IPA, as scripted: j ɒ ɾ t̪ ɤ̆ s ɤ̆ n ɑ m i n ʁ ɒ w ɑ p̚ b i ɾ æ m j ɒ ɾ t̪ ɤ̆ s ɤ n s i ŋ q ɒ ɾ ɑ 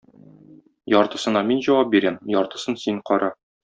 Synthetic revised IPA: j ɒ ɾ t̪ ɤ̆ s ɤ̆ n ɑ m i n ʑ ɒ w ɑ p̚ b i ɾ æ m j ɒ ɾ t̪ ɤ̆ s ɤ n s i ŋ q ɒ ɾ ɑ